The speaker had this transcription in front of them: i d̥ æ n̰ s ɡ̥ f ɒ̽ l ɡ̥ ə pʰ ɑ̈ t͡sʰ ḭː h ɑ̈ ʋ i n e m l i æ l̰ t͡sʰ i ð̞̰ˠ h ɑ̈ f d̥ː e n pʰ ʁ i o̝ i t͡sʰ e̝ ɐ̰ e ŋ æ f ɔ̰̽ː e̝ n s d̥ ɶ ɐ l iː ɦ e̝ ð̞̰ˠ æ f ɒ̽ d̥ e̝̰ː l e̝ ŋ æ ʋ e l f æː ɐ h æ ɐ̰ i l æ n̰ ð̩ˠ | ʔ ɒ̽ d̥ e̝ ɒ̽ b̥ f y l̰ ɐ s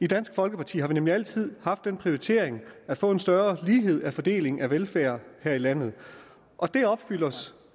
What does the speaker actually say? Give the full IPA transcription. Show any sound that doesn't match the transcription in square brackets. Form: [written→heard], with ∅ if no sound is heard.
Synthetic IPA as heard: i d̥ æ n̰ s ɡ̥ f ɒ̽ l ɡ̥ ə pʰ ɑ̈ t͡sʰ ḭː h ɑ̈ ʋ i n e m l i æ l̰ t͡sʰ i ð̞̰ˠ h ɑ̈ f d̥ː e n pʰ ʁ i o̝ i t͡sʰ e̝ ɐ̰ e ŋ æ f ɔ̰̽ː e̝ n s d̥ ɶ ɐ l iː ɦ e̝ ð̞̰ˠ æ f ɒ̽ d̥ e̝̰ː l e̝ ŋ æ ʋ e l f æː ɐ h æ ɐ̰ i l æ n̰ ð̩ˠ | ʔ ɒ̽ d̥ e̝ ɒ̽ b̥ f y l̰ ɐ s

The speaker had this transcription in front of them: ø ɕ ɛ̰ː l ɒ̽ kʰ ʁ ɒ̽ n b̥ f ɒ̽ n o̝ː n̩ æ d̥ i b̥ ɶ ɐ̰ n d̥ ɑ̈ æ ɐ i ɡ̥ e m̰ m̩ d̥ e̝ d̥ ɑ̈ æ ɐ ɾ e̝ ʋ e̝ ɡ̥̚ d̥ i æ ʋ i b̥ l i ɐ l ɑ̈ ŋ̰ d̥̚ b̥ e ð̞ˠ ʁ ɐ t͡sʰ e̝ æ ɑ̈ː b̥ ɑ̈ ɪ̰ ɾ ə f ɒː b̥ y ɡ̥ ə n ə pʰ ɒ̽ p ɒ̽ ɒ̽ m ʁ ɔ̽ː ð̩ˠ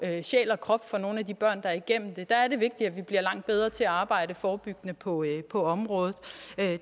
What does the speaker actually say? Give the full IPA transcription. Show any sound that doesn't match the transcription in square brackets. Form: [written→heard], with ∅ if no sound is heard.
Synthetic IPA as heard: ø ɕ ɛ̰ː l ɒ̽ kʰ ʁ ɒ̽ [n→∅] b̥ f ɒ̽ n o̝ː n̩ æ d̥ i b̥ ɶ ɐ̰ n d̥ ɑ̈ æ ɐ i ɡ̥ e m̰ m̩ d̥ e̝ d̥ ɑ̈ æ ɐ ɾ e̝ ʋ e̝ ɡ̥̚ d̥ i æ ʋ i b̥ l i ɐ l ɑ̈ ŋ̰ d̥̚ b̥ e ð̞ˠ ʁ ɐ t͡sʰ e̝ æ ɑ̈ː b̥ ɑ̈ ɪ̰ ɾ ə f ɒː b̥ y ɡ̥ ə n ə pʰ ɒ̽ [p→pʰ] ɒ̽ ɒ̽ m ʁ ɔ̽ː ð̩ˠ

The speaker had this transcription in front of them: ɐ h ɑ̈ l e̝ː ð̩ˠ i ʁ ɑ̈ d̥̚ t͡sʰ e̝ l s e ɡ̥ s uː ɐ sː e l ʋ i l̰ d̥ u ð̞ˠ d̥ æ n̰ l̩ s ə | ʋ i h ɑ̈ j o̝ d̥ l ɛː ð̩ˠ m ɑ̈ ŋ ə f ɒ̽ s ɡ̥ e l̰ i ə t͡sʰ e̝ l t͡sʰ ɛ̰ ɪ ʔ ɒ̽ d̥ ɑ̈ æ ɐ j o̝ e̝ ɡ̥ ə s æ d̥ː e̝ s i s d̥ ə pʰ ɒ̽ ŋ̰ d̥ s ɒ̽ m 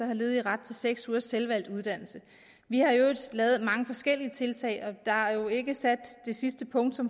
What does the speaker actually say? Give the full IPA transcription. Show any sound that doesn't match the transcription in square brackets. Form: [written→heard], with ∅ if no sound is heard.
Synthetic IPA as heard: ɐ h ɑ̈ l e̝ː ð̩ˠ i ʁ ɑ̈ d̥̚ t͡sʰ e̝ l s e ɡ̥ s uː ɐ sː e l ʋ [i→æ] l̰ d̥ u ð̞ˠ d̥ æ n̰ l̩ s ə | ʋ i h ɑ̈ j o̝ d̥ l ɛː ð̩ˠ m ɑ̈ ŋ ə f ɒ̽ s ɡ̥ e l̰ i ə t͡sʰ e̝ l t͡sʰ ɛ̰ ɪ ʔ ɒ̽ d̥ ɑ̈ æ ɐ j o̝ e̝ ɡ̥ ə s æ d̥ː e̝ s i s d̥ ə pʰ [ɒ̽→ɔ̽] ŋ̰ d̥ s ɒ̽ m

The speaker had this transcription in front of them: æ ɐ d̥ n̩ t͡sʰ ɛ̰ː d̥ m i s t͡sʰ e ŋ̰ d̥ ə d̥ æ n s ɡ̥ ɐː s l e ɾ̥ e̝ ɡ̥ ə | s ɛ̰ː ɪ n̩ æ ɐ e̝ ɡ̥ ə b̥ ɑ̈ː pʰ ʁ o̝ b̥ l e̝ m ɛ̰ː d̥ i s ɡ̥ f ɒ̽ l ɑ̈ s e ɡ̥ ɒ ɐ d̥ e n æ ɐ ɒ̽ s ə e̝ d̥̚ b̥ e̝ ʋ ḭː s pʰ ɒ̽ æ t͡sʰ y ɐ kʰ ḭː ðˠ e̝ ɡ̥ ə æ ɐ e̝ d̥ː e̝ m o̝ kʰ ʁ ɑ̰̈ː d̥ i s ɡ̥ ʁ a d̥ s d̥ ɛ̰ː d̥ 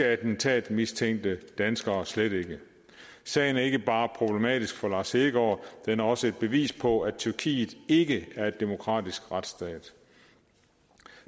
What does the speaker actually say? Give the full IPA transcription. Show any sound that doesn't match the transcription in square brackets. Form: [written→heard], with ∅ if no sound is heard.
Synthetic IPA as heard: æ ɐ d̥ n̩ t͡sʰ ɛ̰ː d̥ m i s t͡sʰ e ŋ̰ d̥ ə d̥ æ n s ɡ̥ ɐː s l e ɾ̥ e̝ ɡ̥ ə | s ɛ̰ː ɪ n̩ æ ɐ e̝ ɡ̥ ə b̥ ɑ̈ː pʰ ʁ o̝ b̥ l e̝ m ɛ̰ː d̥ i s ɡ̥ f ɒ̽ l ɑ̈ s e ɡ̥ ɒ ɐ d̥ e n æ ɐ ɒ̽ s ə e̝ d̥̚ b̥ e̝ ʋ ḭː s pʰ ɒ̽ æ t͡sʰ y ɐ kʰ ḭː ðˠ e̝ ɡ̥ ə æ ɐ e̝ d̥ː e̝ m o̝ kʰ ʁ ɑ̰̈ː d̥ i s ɡ̥ ʁ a d̥ s d̥ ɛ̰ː d̥

